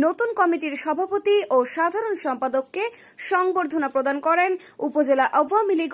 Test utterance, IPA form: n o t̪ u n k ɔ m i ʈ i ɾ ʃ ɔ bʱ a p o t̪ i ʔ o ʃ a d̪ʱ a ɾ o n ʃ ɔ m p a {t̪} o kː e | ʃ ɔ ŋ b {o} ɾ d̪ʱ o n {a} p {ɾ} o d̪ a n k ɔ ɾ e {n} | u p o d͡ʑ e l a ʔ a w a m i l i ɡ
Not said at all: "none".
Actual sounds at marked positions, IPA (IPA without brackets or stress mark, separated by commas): d̪, o, a, ɾ, n